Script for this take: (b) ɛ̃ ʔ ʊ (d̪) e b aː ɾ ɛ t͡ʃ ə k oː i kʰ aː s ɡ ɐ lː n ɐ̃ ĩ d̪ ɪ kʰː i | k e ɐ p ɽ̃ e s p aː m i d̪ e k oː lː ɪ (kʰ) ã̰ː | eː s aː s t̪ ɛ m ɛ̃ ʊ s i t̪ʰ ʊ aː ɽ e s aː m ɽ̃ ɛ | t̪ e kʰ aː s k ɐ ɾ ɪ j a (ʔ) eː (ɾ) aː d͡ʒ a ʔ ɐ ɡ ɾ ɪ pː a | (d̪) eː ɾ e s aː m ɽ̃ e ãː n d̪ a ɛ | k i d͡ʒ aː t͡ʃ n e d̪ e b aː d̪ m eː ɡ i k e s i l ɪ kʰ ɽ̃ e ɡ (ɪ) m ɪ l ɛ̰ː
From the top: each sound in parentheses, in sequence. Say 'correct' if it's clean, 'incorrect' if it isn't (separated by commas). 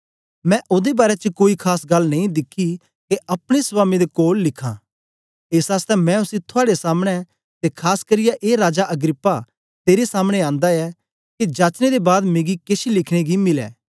incorrect, correct, correct, correct, correct, incorrect, incorrect